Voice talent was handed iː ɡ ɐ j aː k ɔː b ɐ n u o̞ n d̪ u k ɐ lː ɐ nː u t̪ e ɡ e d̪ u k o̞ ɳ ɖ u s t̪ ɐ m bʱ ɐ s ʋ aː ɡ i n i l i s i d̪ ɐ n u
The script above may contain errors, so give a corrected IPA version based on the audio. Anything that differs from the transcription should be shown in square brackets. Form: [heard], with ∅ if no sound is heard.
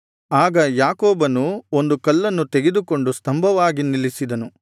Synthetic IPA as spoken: [aː] ɡ ɐ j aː k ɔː b ɐ n u o̞ n d̪ u k ɐ lː ɐ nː u t̪ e ɡ e d̪ u k o̞ ɳ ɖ u s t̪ ɐ m bʱ ɐ [∅] ʋ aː ɡ i n i l i s i d̪ ɐ n u